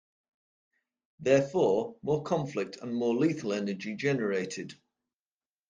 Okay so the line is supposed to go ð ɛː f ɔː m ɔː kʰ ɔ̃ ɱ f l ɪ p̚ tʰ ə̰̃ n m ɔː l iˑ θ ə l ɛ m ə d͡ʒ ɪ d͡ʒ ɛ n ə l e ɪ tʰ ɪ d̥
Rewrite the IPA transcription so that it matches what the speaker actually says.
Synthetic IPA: ð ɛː f ɔː m ɔː kʰ ɒ̃ ɱ f l ɪ k̚ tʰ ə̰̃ n m ɔː l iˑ θ ə l ɛ n ə d͡ʒ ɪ d͡ʒ ɛ n ə ɹ e ɪ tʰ ɪ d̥